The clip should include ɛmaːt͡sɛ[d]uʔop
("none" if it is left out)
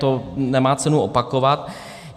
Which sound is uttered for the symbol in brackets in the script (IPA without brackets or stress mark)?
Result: n